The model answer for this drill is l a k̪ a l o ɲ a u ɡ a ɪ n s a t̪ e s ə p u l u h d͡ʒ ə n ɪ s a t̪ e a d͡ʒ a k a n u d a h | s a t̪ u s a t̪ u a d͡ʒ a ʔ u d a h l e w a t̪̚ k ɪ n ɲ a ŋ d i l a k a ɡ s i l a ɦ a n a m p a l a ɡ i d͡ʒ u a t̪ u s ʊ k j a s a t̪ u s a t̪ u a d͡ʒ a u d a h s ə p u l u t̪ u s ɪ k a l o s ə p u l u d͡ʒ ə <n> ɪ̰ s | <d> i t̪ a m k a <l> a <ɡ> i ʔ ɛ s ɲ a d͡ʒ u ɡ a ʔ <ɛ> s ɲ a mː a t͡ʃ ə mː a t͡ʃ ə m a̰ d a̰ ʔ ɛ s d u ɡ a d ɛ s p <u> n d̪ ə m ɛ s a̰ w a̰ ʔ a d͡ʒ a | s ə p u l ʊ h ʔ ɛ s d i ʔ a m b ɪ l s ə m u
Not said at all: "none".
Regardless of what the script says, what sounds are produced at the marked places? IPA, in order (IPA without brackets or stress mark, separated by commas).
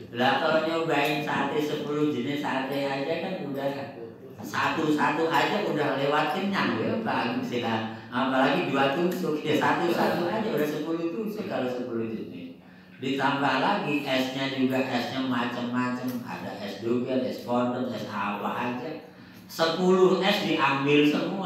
n, d, l, ɡ, ɛ, ɔ